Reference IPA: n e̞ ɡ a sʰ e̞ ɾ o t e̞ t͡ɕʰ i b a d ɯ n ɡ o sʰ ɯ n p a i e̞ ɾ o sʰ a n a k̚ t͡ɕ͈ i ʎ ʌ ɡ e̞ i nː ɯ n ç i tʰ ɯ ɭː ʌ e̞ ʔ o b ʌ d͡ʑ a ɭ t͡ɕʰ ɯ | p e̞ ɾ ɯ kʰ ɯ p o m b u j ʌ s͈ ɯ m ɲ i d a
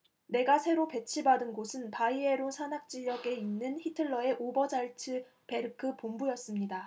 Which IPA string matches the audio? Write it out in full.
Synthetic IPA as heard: n e̞ ɡ a sʰ e̞ ɾ o p e̞ t͡ɕʰ i b a d ɯ n ɡ o sʰ ɯ n p a i e̞ ɾ o sʰ a n a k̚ t͡ɕ͈ i ʎ ʌ ɡ e̞ i nː ɯ n ç i tʰ ɯ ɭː ʌ e̞ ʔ o b ʌ d͡ʑ a ɭ t͡ɕʰ ɯ | p e̞ ɾ ɯ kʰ ɯ p o m b u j ʌ s͈ ɯ m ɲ i d a